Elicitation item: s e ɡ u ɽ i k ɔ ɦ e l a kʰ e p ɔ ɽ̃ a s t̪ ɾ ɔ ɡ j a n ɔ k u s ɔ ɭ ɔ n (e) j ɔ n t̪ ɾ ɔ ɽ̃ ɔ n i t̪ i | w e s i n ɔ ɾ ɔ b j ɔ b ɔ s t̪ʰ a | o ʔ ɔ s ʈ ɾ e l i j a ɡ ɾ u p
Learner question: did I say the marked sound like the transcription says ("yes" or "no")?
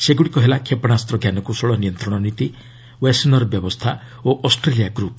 no